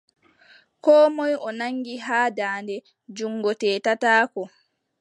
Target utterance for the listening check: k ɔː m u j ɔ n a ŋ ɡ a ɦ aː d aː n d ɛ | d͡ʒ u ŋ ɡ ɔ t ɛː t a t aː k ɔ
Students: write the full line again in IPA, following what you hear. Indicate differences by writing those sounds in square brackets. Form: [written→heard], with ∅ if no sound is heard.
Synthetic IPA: k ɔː m [u→ɔ] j ɔ n a ŋ ɡ [a→i] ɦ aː d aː n d ɛ | d͡ʒ u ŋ ɡ ɔ t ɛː t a t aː k ɔ

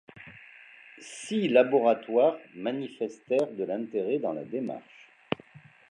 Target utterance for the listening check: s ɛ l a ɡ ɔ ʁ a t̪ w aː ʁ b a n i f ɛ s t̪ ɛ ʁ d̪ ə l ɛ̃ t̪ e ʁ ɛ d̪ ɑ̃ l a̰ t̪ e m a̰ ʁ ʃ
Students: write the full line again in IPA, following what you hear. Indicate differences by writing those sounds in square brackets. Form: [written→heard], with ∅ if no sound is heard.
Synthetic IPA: s [ɛ→i] l a [ɡ→b] ɔ ʁ a t̪ w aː ʁ [b→m] a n i f ɛ s t̪ ɛ ʁ d̪ ə l ɛ̃ t̪ e ʁ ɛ d̪ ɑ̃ l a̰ [t̪→d̪] e m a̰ ʁ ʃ

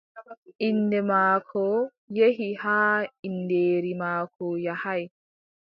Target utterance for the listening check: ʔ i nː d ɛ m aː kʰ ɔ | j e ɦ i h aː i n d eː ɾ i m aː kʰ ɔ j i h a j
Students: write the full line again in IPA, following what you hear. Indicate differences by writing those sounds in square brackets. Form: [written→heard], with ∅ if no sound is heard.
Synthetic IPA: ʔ i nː d ɛ m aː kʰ ɔ | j e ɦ i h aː i n d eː ɾ i m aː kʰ ɔ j [i→a] h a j

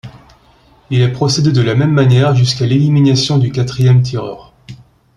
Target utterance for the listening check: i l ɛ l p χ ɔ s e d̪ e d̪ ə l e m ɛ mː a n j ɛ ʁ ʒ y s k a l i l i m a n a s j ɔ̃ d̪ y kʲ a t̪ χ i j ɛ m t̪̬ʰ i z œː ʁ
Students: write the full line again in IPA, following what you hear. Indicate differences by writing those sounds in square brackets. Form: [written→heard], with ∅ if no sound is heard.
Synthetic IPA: i l ɛ [l→∅] p χ ɔ s e d̪ e d̪ ə l [e→a] m ɛ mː a n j ɛ ʁ ʒ y s k a l [i→e] l i m [a→i] n a s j ɔ̃ d̪ y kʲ a t̪ χ i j ɛ m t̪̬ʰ i [z→ʁ] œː ʁ

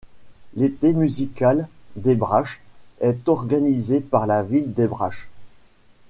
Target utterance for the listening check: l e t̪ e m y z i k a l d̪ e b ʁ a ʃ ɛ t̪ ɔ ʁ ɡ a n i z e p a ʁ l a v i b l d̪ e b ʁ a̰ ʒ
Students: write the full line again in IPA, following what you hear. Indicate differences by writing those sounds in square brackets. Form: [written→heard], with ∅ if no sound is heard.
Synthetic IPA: l e t̪ e m y z i k a l d̪ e b ʁ a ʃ ɛ t̪ ɔ ʁ ɡ a n i z e p a ʁ l a v i [b→∅] l d̪ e b ʁ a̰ [ʒ→ʃ]

